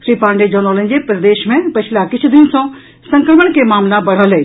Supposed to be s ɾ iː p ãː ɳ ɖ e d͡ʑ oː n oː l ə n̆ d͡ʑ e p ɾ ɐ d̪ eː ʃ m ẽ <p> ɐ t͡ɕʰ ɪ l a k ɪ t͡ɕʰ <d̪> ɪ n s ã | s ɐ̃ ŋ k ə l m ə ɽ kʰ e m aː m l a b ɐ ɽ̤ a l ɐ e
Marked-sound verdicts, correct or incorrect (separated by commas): correct, correct